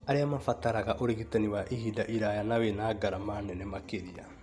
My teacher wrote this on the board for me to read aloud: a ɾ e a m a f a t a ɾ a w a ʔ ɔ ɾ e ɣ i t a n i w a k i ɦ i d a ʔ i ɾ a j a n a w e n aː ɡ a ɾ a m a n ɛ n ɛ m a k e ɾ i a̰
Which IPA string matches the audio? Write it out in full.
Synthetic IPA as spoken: a ɾ e a m a f a t a ɾ a ɣ a ʔ o ɾ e ɣ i t a n i w a ʔ i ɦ i d a ʔ i ɾ a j a n a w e n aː ɡ a ɾ a m a n ɛ n ɛ m a k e ɾ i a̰